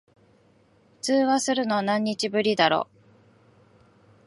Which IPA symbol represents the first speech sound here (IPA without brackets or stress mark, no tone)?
ɸ